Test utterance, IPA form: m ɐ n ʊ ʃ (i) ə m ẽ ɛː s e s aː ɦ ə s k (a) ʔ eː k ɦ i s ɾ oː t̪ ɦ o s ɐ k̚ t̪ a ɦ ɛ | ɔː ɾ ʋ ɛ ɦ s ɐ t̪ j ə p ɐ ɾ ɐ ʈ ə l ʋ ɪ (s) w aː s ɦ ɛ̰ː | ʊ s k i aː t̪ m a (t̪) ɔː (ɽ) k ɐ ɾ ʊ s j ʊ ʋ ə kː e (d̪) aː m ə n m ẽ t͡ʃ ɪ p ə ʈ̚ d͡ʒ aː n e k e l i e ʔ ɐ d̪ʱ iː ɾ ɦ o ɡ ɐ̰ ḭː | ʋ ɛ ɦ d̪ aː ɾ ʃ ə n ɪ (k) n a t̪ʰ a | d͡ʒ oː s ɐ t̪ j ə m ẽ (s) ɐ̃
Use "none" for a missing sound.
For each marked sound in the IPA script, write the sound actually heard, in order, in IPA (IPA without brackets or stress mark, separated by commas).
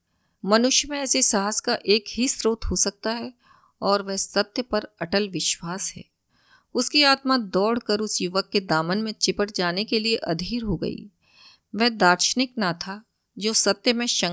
j, a, ʃ, d̪, ɽ, d̪, k, ʃ